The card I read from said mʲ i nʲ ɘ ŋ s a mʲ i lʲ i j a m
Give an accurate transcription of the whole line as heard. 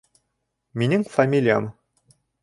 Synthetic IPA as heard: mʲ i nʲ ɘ ŋ f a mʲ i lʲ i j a m